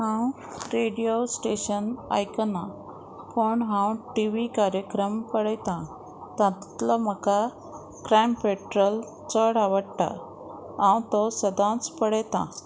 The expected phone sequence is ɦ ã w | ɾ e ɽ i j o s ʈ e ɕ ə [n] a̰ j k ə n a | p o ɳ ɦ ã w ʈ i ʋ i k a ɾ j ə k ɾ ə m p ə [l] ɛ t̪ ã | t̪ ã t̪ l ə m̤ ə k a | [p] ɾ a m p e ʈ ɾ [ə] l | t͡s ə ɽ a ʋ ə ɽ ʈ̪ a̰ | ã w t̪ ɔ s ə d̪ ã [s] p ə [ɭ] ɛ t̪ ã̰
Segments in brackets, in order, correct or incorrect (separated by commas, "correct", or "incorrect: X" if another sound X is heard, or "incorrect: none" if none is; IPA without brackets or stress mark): correct, incorrect: ɽ, incorrect: k, correct, incorrect: t͡s, incorrect: ɽ